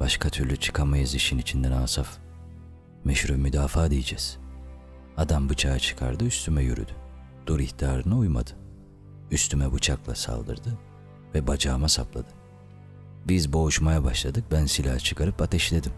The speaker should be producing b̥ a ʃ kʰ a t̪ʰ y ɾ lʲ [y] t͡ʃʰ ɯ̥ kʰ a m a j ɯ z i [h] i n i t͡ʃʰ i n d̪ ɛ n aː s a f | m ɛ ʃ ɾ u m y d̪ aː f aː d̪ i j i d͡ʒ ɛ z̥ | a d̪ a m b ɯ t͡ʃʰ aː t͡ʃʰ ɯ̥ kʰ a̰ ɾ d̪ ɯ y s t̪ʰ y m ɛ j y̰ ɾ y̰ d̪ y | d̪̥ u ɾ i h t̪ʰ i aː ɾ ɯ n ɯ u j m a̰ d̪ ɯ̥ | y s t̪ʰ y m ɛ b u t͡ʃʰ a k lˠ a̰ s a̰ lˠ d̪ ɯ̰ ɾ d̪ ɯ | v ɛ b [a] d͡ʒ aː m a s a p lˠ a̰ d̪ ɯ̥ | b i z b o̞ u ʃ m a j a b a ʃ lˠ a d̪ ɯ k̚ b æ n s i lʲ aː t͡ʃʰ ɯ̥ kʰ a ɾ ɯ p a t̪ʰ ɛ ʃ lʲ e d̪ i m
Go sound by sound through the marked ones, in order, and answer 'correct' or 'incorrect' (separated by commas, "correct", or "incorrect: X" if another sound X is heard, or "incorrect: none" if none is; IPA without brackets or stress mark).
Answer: correct, incorrect: ʃ, correct